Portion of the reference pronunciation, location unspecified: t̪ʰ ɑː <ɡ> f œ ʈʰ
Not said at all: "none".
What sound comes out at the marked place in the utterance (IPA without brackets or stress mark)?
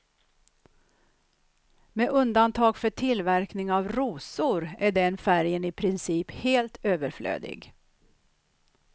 ɡ